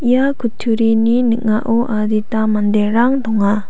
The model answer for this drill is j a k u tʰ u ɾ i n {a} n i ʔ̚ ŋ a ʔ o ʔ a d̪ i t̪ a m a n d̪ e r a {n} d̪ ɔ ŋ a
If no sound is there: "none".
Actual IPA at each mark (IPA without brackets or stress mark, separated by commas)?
i, ŋ